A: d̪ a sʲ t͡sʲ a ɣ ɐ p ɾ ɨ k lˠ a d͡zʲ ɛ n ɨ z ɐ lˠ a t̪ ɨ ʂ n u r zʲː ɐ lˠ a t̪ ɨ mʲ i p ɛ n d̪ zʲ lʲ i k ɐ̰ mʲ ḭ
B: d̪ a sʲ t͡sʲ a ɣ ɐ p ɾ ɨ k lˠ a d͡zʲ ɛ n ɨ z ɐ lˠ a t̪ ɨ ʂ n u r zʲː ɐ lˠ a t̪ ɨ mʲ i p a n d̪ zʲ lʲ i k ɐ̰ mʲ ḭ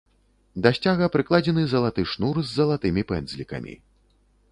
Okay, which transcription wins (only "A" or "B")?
A